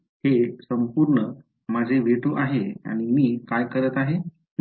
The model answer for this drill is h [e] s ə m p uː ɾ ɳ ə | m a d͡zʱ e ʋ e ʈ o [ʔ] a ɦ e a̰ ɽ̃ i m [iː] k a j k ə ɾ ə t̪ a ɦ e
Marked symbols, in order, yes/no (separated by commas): yes, yes, yes